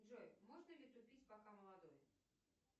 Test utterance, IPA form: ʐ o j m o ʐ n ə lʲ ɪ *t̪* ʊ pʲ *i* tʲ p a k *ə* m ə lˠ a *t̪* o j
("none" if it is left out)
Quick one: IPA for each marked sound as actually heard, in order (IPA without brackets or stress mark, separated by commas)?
t̪, i, a, d̪